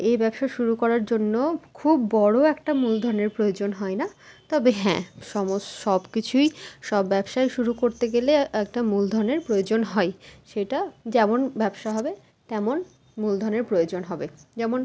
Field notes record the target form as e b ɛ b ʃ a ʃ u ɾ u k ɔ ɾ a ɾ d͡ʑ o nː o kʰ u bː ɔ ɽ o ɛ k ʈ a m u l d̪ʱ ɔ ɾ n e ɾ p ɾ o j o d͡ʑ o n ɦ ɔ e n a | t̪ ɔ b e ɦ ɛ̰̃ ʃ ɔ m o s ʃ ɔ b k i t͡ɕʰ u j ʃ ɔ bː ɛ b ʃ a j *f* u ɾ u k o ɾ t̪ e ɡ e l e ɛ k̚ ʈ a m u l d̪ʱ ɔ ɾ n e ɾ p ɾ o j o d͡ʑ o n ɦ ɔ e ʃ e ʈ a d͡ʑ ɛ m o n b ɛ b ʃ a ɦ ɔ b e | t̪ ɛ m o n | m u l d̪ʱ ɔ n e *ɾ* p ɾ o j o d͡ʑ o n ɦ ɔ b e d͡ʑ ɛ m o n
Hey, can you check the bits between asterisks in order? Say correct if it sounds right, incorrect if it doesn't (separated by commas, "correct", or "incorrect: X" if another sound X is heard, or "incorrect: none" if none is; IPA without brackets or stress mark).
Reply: incorrect: ʃ, correct